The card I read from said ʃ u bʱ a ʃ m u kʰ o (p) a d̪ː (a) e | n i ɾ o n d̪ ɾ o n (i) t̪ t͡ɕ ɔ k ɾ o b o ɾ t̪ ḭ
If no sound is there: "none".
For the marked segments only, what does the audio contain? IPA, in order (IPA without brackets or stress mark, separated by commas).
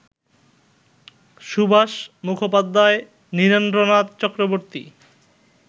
p, a, a